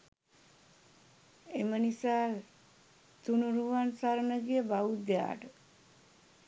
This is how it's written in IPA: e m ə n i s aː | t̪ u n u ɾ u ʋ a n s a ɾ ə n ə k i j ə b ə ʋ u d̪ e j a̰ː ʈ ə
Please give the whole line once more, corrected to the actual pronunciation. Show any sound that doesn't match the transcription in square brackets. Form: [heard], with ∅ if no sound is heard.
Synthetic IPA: e m ə n i s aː | t̪ u n u ɾ u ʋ a n s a ɾ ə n ə [ɡ] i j ə b [a] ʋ u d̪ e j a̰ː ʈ ə

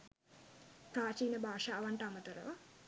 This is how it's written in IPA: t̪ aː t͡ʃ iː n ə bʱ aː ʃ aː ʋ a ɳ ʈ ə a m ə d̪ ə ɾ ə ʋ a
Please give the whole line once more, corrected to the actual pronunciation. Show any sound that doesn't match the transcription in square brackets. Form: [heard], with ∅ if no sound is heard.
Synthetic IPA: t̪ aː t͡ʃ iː n ə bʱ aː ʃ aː ʋ a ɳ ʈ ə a m ə [t̪] ə ɾ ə ʋ a

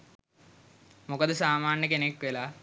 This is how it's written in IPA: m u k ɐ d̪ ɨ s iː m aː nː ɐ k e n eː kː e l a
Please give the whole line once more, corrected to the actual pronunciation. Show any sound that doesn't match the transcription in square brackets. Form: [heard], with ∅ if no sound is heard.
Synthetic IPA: m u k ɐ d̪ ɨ s [aː] m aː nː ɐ k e n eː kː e l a

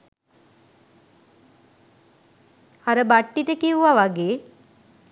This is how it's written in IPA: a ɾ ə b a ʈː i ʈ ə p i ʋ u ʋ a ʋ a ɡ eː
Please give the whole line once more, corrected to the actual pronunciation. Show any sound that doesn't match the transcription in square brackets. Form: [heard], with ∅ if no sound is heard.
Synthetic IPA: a ɾ ə b a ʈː i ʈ ə [k] i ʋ u ʋ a ʋ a ɡ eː

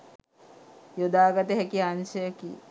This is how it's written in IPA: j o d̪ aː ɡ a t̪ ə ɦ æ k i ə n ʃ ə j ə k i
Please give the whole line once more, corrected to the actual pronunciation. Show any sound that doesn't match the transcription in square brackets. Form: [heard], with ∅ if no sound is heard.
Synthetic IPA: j o d̪ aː ɡ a t̪ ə ɦ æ k i [a] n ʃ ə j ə k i

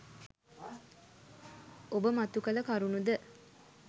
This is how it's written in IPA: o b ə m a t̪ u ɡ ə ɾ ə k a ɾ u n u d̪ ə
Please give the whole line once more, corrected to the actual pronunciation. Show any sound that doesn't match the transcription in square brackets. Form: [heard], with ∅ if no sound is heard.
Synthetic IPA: o b ə m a t̪ u [k] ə [l] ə k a ɾ u n u d̪ ə

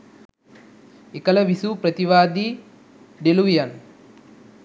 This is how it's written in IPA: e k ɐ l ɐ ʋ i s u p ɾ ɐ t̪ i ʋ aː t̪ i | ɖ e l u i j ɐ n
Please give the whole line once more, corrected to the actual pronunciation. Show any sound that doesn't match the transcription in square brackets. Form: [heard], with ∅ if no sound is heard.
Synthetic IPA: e k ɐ l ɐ ʋ i s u p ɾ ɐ t̪ i ʋ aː [d̪] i | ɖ e l u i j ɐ n

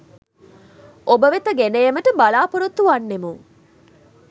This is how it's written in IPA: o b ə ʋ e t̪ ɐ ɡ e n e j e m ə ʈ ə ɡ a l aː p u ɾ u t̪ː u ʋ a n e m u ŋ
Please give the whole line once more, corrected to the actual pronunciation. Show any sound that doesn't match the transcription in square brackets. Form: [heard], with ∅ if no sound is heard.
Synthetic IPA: o b ə ʋ e t̪ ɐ ɡ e n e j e m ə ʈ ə [b] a l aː p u ɾ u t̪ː u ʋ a [nː] e m u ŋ

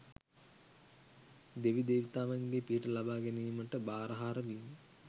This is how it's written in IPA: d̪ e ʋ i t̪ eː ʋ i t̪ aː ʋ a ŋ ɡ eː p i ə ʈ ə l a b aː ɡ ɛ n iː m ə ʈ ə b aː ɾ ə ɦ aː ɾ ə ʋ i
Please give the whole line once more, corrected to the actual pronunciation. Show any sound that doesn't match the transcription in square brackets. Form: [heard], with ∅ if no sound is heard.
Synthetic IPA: d̪ e ʋ i [d̪] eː ʋ i t̪ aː ʋ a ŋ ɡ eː p i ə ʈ ə l a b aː ɡ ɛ n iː m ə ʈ ə b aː ɾ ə ɦ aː ɾ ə ʋ i

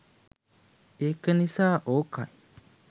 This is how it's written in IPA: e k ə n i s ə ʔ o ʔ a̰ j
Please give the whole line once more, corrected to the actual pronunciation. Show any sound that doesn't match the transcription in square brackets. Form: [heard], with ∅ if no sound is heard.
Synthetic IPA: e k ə n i s [a] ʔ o [k] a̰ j

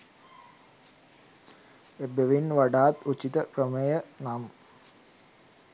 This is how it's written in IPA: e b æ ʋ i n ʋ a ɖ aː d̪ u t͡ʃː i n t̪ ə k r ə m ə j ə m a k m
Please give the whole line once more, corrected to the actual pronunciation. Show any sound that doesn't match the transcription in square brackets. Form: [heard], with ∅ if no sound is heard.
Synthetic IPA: e b [e] ʋ i n ʋ a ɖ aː [t̪] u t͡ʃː i [∅] t̪ ə k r ə m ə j ə [n] a [∅] m

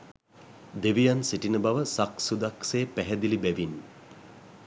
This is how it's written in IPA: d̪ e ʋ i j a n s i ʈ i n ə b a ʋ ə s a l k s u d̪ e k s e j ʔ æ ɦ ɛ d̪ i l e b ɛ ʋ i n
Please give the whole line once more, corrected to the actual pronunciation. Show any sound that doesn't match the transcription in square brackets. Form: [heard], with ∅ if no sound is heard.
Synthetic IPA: d̪ e ʋ i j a n s i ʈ i n ə b a ʋ ə s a [∅] k s u d̪ [a] k s e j [p] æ ɦ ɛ d̪ i l [i] b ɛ ʋ i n

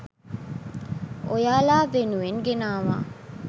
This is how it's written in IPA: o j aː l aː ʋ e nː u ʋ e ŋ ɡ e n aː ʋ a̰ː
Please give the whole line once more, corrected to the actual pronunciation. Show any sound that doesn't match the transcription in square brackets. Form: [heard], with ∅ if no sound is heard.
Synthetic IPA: o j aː l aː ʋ e [n] u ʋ e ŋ ɡ e n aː ʋ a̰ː

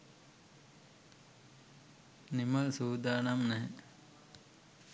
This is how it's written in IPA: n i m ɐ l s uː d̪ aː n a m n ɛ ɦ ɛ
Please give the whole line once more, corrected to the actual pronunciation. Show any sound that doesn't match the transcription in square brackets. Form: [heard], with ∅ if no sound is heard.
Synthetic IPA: n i m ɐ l s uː d̪ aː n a m n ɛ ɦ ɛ

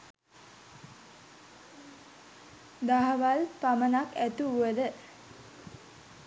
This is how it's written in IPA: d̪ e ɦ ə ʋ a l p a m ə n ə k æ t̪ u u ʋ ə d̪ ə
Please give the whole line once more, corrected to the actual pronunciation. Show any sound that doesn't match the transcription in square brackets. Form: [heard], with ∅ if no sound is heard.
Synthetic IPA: d̪ [a] ɦ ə ʋ a l p a m ə n [a] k æ t̪ u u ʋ ə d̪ ə

